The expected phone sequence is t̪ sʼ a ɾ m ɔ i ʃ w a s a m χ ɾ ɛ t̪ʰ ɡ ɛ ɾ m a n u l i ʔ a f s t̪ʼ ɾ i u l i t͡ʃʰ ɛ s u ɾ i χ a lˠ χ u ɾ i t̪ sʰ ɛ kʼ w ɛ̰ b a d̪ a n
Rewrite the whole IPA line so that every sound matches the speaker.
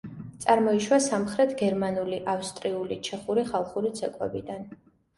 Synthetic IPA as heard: t̪ sʼ a ɾ m ɔ i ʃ w a s a m χ ɾ ɛ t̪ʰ ɡ ɛ ɾ m a n u l i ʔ a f s t̪ʼ ɾ i u l i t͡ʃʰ ɛ χ u ɾ i χ a lˠ χ u ɾ i t̪ sʰ ɛ kʼ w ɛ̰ b i d̪ a n